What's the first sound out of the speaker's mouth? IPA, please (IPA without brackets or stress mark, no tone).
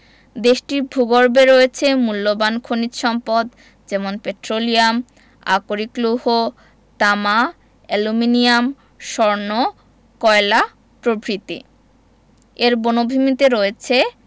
d̪